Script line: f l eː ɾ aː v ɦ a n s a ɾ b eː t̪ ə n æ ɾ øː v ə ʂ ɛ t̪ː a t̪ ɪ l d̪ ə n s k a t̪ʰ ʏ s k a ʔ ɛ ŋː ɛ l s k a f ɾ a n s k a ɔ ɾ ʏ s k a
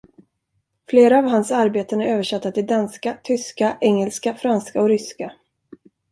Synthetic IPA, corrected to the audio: f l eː ɾ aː v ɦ a n s a ɾ b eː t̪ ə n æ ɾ øː v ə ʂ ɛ t̪ː a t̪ ɪ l d̪ a n s k a t̪ʰ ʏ s k a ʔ ɛ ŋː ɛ l s k a f ɾ a n s k a ɔ ɾ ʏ s k a